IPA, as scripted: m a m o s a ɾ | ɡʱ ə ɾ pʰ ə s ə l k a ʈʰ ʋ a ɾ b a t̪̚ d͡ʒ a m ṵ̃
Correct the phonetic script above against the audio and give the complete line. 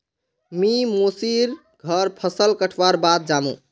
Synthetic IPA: m i m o s i ɾ | ɡʱ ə ɾ pʰ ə s ə l k ə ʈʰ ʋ a ɾ b a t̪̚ d͡ʒ a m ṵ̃